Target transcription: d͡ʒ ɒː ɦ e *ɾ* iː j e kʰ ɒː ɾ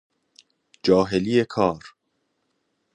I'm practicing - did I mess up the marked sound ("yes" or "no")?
yes